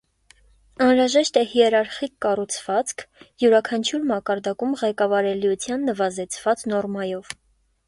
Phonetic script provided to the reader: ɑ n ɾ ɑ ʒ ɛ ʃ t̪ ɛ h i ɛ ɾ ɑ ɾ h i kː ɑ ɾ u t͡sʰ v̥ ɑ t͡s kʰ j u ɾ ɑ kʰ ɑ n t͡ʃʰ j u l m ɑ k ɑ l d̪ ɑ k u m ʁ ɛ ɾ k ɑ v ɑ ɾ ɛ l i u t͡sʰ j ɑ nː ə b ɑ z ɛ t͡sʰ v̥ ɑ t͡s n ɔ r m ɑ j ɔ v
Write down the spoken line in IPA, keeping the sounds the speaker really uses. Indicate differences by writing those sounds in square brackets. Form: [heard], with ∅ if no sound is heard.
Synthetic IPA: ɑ n ɾ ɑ ʒ ɛ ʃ t̪ ɛ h i ɛ ɾ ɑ ɾ [χ] i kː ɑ [r] u t͡sʰ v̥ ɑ t͡s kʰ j u ɾ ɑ kʰ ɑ n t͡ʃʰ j u [ɾ] m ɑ k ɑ [ɾ] d̪ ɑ k u m ʁ ɛ [∅] k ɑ v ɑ ɾ ɛ l i u t͡sʰ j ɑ nː ə [v] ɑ z ɛ t͡sʰ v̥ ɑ t͡s n ɔ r m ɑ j ɔ v

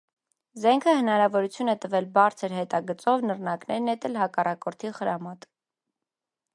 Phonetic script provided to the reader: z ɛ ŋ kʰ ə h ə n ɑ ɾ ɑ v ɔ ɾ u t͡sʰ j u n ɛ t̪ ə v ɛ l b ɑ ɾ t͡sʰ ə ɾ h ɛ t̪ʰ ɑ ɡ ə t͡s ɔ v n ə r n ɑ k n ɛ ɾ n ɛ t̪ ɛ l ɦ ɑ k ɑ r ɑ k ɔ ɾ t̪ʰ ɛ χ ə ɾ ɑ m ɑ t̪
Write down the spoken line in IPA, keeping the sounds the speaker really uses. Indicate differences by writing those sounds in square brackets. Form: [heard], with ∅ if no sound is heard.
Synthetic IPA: z ɛ ŋ kʰ ə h ə n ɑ ɾ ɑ v ɔ ɾ u t͡sʰ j u n ɛ t̪ ə v ɛ l b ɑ ɾ t͡sʰ ə ɾ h ɛ [t̪] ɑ ɡ ə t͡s ɔ v n ə r n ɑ k n ɛ ɾ n ɛ t̪ ɛ l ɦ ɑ k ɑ r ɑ k ɔ ɾ t̪ʰ [i] χ ə ɾ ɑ m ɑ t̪

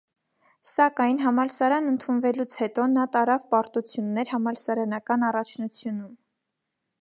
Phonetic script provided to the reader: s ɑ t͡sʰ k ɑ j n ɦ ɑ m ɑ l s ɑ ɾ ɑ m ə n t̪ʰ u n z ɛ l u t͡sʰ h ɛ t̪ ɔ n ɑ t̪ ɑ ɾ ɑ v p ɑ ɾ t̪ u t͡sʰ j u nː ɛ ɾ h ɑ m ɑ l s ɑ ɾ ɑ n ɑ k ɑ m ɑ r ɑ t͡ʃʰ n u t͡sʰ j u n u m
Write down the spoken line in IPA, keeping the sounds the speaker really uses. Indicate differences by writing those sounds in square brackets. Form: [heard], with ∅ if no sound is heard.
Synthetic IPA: s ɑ [∅] k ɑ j n ɦ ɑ m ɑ l s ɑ ɾ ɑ [n] ə n t̪ʰ u n [v] ɛ l u t͡sʰ h ɛ t̪ ɔ n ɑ t̪ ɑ ɾ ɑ v p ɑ ɾ t̪ u t͡sʰ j u nː ɛ ɾ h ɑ m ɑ l s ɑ ɾ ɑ n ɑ k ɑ [n] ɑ r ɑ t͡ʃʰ n u t͡sʰ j u n u m

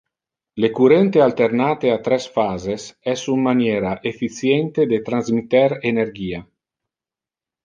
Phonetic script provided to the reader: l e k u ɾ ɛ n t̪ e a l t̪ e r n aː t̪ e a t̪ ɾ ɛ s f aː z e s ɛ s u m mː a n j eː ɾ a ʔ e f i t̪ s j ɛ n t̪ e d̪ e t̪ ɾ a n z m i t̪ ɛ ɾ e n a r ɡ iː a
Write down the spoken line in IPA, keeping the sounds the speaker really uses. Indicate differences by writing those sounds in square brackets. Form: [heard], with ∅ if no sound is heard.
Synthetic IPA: l e k u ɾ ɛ n t̪ e a l t̪ e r n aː t̪ e a t̪ ɾ ɛ s f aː z e s ɛ s u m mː a n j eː ɾ a ʔ e f i t̪ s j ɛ n t̪ e d̪ e t̪ ɾ a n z m i t̪ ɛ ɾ e n [e] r ɡ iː a

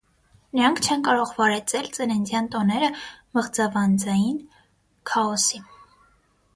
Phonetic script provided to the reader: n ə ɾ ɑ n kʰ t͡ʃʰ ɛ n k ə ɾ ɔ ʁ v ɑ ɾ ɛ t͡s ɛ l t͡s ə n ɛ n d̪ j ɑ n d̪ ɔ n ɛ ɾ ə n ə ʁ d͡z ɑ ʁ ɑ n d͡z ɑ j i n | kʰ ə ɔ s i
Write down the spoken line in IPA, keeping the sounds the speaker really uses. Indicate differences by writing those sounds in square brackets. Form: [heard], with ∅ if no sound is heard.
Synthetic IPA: n ə ɾ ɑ [ŋ] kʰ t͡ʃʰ ɛ n k [ɑ] ɾ ɔ ʁ v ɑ ɾ ɛ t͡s ɛ l t͡s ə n ɛ n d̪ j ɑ n [t̪] ɔ n ɛ ɾ ə [m] ə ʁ d͡z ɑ [v] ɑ n d͡z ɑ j i n | kʰ [ɑ] ɔ s i

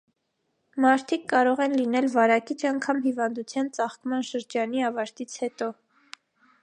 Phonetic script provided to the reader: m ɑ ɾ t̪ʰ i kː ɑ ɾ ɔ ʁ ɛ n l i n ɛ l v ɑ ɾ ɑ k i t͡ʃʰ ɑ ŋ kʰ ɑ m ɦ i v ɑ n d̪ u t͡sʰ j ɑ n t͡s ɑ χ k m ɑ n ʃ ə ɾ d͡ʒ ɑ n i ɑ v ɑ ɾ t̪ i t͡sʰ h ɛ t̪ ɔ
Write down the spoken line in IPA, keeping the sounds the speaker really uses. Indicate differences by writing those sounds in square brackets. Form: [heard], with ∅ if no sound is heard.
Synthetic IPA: m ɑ ɾ t̪ʰ i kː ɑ ɾ ɔ ʁ ɛ n l i n ɛ l v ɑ ɾ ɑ k i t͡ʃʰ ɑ ŋ kʰ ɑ m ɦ i v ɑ n d̪ u t͡sʰ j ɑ n t͡s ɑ χ k m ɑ n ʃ ə ɾ d͡ʒ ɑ n i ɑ v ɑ ɾ t̪ i t͡sʰ h ɛ t̪ ɔ

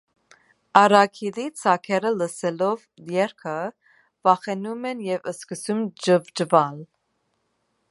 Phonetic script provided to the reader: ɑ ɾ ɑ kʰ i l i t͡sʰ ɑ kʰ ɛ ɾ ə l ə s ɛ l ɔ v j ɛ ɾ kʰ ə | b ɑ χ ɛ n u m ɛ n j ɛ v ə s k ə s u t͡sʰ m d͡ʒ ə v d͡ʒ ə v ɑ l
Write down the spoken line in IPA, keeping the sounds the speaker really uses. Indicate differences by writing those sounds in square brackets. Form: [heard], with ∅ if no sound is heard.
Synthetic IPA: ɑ ɾ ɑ kʰ i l i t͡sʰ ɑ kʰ ɛ ɾ ə l ə s ɛ l ɔ v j ɛ ɾ kʰ ə | [v] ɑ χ ɛ n u m ɛ n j ɛ v ə s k ə s u [∅] m d͡ʒ ə v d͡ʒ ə v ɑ l

